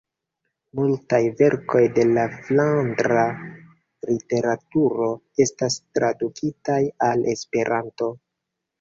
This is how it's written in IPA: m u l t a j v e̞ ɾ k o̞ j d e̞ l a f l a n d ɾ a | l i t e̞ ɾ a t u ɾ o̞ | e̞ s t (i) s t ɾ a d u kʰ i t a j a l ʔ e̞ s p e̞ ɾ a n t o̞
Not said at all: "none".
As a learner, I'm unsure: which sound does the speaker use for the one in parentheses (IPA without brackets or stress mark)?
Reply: a